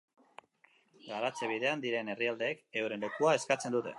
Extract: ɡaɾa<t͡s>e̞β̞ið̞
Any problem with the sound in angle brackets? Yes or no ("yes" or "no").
no